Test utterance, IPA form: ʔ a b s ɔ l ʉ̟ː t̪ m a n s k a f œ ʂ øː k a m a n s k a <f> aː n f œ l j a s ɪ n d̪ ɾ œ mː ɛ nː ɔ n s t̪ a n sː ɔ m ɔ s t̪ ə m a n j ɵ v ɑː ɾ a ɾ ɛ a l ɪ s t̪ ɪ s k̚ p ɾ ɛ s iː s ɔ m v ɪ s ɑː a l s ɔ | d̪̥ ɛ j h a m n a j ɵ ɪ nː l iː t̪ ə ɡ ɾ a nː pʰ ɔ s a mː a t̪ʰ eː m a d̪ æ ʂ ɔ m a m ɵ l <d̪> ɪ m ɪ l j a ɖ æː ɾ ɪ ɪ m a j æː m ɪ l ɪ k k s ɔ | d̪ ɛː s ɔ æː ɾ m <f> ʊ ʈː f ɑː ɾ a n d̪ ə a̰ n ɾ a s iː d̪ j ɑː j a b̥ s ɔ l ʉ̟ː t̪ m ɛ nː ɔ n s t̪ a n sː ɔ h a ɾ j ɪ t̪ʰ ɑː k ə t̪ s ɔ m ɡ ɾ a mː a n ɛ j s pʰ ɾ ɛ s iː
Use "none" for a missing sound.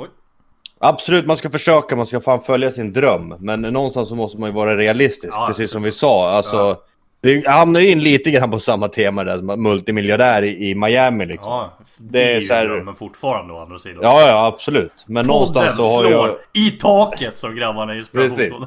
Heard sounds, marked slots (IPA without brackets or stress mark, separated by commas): f, t̪, f